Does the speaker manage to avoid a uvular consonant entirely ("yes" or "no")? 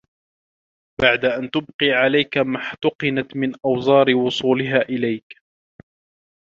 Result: no